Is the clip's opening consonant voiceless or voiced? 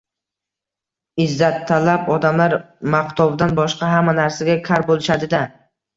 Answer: voiced